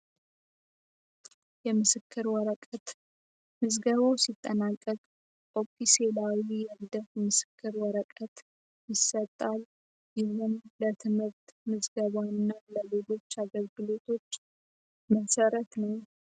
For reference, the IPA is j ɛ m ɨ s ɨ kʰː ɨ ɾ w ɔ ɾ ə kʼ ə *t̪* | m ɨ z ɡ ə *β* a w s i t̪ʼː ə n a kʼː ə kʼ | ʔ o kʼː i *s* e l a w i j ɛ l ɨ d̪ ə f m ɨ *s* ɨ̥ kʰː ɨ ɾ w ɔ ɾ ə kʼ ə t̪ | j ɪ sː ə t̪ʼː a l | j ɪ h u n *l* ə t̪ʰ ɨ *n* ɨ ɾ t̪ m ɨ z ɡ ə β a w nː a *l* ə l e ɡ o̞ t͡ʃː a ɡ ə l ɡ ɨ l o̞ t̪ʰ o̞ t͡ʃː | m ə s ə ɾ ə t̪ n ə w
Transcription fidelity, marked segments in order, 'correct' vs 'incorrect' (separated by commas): correct, correct, correct, correct, correct, incorrect, correct